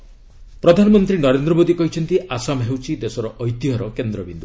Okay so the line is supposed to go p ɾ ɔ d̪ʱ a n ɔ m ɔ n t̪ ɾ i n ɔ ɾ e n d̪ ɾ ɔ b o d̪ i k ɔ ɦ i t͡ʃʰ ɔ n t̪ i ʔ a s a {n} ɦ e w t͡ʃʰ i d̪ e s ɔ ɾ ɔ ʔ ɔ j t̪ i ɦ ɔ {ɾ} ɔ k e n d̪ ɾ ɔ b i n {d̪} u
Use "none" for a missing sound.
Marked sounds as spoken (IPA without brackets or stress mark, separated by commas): m, ɾ, d̪